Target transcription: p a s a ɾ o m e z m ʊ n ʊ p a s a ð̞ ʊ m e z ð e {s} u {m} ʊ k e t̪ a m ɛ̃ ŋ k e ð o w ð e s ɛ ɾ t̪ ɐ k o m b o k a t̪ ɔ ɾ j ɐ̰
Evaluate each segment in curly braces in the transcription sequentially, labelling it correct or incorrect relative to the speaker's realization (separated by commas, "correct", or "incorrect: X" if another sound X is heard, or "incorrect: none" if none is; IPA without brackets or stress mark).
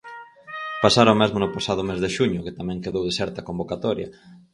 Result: incorrect: ʃ, incorrect: ɲ